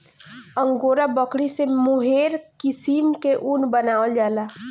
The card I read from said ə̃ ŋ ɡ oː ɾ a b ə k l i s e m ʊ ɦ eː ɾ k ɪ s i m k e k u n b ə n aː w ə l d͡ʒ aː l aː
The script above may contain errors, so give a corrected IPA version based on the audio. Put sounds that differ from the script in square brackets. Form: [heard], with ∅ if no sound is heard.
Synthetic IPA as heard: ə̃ ŋ ɡ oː ɾ a b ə k [ɽ] i s e m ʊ ɦ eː ɾ k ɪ s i m k e [ʔ] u n b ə n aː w ə l d͡ʒ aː l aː